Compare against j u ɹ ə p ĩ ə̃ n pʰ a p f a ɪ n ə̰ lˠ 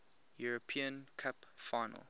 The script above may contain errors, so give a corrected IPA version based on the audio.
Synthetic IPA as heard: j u ɹ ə pʰ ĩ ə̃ n kʰ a p f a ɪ n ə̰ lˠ